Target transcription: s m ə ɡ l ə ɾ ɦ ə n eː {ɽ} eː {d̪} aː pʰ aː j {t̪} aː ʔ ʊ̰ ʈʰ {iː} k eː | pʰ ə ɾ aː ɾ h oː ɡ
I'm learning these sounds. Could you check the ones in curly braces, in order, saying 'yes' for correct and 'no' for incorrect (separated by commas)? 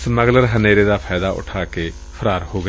no, yes, no, no